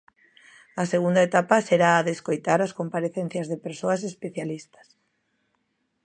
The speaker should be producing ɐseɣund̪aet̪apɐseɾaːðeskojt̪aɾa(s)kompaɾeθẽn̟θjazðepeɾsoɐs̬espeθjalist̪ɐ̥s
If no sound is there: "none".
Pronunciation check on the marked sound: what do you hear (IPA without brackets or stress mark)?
s